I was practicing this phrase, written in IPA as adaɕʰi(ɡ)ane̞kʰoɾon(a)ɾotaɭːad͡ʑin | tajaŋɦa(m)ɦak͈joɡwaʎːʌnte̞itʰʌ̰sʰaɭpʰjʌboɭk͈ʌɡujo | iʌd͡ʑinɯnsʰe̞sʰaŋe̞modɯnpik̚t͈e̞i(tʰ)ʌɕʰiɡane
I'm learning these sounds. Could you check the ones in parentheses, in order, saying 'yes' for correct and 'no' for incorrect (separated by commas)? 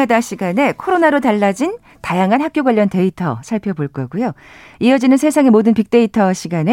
yes, yes, no, yes